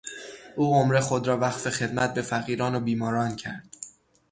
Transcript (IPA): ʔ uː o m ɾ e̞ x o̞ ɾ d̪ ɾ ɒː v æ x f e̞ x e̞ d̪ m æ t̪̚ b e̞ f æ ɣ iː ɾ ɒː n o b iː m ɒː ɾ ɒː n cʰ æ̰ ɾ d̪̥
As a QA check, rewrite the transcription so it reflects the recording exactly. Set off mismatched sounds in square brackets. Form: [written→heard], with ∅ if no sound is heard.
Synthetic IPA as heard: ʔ uː o m ɾ e̞ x o̞ [ɾ→∅] d̪ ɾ ɒː v æ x f e̞ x e̞ d̪ m æ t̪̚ b e̞ f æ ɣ iː ɾ ɒː n o b iː m ɒː ɾ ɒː n cʰ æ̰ ɾ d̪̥

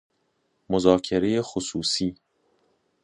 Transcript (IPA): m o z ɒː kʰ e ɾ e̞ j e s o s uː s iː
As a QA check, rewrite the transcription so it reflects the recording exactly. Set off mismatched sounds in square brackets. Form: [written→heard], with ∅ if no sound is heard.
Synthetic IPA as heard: m o z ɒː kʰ e ɾ e̞ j e [s→x] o s uː s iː

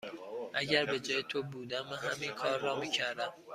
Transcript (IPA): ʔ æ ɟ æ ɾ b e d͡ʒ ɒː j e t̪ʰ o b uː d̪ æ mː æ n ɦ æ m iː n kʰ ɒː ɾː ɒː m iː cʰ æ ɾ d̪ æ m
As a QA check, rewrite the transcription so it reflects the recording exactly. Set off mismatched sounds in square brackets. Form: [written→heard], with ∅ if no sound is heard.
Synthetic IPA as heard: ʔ æ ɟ æ ɾ b e d͡ʒ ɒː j e t̪ʰ o b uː d̪ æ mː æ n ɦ æ m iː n kʰ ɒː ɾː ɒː m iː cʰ æ ɾ d̪ æ m

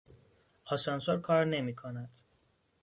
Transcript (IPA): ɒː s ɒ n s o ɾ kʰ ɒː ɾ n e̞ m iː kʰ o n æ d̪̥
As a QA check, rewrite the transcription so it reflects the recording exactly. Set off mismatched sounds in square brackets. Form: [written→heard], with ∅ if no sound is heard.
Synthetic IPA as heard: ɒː s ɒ n s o ɾ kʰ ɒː ɾ n e̞ m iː kʰ o n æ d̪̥

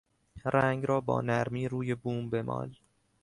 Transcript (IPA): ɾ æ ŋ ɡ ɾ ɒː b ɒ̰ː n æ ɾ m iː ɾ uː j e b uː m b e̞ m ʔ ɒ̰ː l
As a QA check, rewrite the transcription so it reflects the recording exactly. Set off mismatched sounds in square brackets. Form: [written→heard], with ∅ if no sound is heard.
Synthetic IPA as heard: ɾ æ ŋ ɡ ɾ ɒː b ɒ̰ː n æ ɾ m iː ɾ uː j e b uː m b e̞ m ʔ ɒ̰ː l

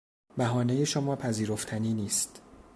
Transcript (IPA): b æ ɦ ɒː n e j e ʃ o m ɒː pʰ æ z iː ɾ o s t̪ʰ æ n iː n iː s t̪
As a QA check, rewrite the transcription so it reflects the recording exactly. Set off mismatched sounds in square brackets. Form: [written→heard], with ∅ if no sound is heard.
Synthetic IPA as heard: b æ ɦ ɒː n e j e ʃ o m ɒː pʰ æ z iː ɾ o [s→f] t̪ʰ æ n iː n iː s t̪

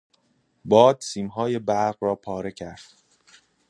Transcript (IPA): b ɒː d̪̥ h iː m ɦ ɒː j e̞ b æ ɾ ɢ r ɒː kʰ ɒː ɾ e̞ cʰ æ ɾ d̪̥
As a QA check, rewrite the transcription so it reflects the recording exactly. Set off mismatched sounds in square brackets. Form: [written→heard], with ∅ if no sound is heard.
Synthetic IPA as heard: b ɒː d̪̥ [h→s] iː m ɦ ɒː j e̞ b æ ɾ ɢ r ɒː [kʰ→pʰ] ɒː ɾ e̞ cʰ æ ɾ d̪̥

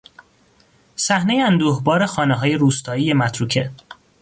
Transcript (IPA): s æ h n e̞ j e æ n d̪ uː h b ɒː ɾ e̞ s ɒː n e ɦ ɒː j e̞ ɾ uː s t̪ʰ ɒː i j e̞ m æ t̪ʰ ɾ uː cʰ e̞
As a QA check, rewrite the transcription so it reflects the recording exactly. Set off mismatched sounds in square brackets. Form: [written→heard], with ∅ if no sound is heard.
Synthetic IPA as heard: s æ h n e̞ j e æ n d̪ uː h b ɒː ɾ e̞ [s→x] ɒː n e ɦ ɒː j e̞ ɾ uː s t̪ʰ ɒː i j e̞ m æ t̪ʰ ɾ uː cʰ e̞

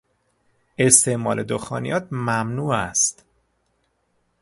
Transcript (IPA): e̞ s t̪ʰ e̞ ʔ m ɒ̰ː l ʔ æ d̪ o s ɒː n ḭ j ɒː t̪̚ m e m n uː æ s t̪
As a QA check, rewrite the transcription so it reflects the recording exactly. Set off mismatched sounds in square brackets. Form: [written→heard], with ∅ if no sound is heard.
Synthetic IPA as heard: e̞ s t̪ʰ e̞ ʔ m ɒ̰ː l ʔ [æ→e] d̪ o [s→x] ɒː n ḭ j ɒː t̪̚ m [e→æ] m n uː æ s t̪

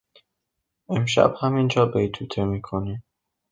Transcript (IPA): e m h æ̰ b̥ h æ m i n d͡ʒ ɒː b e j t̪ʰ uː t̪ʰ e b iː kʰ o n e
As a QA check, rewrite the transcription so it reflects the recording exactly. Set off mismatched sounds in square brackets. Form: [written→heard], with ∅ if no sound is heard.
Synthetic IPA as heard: e m [h→ʃ] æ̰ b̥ h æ m i n d͡ʒ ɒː b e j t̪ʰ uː t̪ʰ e [b→m] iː kʰ o n [e→i]

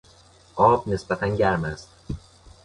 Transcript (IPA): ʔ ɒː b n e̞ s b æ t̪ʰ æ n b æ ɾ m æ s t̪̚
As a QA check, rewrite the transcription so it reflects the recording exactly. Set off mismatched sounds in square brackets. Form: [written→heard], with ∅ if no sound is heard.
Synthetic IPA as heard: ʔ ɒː b n e̞ s b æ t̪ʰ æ n [b→ɟ] æ ɾ m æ s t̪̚

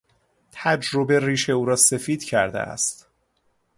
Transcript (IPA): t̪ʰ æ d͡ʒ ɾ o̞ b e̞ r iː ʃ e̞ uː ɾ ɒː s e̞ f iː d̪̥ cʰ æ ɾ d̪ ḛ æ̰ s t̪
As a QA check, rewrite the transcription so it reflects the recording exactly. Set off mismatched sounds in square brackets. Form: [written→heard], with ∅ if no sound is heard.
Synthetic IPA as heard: t̪ʰ æ d͡ʒ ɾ o̞ b e̞ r iː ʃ e̞ uː ɾ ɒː s e̞ f iː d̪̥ cʰ æ ɾ d̪ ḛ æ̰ s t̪

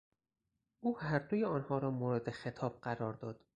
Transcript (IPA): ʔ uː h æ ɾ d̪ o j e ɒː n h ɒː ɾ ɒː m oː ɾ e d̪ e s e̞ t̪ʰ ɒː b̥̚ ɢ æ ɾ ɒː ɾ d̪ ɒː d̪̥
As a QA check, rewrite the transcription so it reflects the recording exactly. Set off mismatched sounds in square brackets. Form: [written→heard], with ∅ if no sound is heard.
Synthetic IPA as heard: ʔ uː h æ ɾ d̪ o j e ɒː n h ɒː ɾ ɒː m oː ɾ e d̪ e [s→x] e̞ t̪ʰ ɒː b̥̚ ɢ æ ɾ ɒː ɾ d̪ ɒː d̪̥

